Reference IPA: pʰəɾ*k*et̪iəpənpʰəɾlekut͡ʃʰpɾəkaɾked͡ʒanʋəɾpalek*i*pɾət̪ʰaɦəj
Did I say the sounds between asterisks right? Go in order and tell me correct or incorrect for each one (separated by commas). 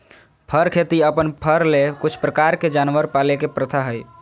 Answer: incorrect, incorrect